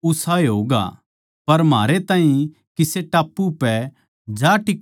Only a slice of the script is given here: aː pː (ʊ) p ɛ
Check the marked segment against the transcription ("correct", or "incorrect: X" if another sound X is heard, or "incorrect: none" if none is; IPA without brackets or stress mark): incorrect: u